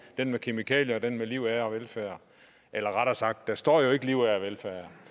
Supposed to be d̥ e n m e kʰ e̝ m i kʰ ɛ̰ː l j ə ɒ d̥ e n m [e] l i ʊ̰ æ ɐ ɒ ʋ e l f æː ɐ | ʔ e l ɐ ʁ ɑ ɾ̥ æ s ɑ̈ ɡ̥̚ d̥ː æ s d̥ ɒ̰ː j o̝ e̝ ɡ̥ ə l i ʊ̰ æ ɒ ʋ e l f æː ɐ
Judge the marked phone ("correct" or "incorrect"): correct